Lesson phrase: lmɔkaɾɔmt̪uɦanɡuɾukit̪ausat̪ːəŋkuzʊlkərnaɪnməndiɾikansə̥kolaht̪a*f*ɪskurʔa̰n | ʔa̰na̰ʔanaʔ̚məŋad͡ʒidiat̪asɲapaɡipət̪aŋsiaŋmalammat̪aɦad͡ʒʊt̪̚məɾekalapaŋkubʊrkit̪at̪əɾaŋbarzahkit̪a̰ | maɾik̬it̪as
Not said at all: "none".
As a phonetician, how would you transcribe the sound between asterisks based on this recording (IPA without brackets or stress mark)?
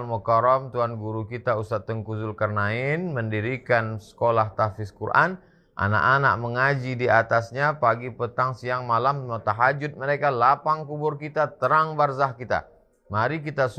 f